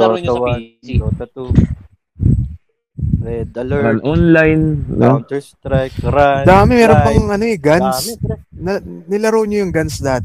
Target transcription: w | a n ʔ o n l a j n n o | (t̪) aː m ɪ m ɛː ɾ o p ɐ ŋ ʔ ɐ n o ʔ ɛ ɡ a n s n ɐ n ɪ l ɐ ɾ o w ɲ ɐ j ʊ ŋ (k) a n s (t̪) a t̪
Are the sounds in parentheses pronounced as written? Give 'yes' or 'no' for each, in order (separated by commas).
no, no, no